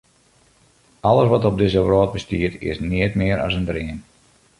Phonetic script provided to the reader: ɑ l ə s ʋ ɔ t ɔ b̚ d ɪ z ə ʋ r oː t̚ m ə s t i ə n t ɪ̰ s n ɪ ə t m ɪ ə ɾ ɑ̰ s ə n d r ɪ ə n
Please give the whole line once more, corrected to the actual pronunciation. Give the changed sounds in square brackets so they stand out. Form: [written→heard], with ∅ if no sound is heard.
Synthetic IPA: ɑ l ə s ʋ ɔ t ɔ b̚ d ɪ z ə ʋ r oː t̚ [m→b] ə s t i ə [n→∅] t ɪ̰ s n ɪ ə t m ɪ ə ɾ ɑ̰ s ə n d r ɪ ə n